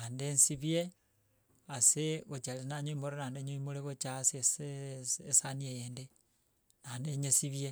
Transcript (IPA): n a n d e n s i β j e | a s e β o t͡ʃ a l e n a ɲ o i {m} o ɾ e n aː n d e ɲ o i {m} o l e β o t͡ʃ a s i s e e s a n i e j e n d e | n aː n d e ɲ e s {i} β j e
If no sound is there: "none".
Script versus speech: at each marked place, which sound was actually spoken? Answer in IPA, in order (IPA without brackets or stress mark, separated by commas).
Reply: m, m, i